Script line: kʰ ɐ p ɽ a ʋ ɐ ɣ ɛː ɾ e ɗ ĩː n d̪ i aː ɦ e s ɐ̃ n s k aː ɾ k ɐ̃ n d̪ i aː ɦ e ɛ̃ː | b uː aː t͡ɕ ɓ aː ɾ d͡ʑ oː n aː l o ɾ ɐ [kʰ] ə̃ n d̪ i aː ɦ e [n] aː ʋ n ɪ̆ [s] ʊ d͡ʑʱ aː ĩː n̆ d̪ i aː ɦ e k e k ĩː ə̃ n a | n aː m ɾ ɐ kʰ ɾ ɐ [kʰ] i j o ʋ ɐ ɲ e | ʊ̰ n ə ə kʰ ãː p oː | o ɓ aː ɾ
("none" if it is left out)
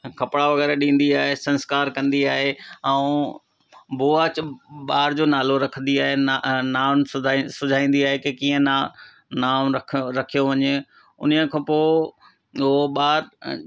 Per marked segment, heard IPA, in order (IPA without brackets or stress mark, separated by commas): kʰ, n, s, kʰ